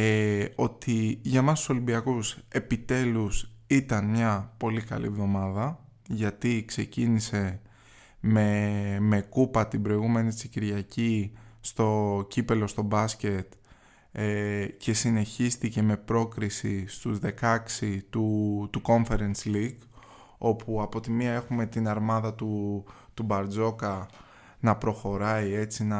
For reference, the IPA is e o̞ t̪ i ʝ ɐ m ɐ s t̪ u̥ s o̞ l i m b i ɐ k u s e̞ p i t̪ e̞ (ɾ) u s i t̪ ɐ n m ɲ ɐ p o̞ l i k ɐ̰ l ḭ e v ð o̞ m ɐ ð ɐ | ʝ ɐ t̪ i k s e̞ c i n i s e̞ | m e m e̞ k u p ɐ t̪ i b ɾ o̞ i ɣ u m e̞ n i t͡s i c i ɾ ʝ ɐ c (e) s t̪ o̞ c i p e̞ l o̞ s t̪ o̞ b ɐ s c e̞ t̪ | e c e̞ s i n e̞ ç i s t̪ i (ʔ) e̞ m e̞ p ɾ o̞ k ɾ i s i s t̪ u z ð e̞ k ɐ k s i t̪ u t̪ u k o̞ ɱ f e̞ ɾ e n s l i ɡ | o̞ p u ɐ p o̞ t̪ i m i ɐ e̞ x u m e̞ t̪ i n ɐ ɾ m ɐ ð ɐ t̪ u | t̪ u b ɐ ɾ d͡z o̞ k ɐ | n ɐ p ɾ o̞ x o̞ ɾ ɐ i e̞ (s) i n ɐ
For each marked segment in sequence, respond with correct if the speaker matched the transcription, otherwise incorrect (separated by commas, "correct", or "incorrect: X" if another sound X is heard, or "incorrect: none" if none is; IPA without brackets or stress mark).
incorrect: l, incorrect: i, incorrect: c, incorrect: t͡s